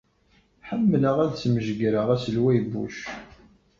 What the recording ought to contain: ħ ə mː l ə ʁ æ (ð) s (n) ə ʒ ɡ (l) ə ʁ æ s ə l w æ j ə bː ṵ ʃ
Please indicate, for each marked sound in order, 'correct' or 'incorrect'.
correct, incorrect: m, incorrect: ɾ

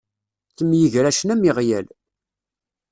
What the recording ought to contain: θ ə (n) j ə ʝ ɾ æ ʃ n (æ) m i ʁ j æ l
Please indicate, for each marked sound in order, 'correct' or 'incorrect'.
incorrect: m, correct

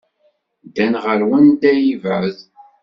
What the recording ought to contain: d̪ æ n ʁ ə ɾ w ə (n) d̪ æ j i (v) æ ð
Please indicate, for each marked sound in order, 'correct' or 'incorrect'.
correct, correct

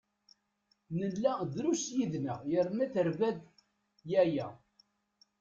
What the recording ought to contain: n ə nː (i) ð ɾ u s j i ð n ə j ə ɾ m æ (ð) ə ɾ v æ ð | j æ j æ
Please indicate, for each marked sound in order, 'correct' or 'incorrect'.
incorrect: æ, incorrect: θ

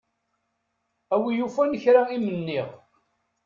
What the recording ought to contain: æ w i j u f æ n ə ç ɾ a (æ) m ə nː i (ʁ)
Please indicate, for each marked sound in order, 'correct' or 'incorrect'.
incorrect: i, correct

